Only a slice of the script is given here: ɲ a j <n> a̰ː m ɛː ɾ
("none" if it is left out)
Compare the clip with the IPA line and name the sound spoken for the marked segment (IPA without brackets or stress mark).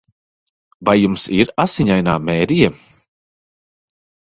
n